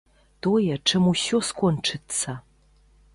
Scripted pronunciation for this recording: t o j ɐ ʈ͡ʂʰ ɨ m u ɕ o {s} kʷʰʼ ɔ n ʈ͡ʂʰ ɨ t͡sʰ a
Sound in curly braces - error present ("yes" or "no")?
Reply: no